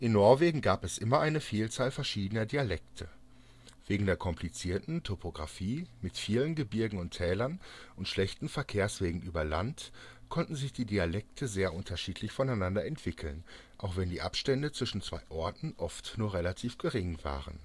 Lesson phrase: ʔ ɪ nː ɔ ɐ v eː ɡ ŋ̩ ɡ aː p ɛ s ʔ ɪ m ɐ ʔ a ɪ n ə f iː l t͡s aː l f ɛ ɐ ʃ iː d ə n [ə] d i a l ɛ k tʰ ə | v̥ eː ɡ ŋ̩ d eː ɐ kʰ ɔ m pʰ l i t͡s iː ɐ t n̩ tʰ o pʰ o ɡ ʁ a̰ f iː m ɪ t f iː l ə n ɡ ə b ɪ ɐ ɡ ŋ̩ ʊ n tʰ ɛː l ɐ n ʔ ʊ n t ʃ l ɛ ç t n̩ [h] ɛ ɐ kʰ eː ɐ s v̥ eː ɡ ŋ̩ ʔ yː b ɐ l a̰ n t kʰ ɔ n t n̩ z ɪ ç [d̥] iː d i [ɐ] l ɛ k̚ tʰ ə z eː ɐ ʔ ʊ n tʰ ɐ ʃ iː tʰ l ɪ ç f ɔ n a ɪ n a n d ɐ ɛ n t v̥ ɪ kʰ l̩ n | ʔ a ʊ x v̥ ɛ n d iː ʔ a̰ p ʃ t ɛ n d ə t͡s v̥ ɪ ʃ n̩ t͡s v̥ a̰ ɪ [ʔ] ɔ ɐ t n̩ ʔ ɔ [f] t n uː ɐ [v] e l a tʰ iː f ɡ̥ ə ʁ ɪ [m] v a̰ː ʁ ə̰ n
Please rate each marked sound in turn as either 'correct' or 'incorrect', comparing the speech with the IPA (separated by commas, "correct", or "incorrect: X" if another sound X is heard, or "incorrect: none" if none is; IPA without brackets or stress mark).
incorrect: ɐ, incorrect: f, correct, incorrect: a, correct, correct, incorrect: ʁ, incorrect: ŋ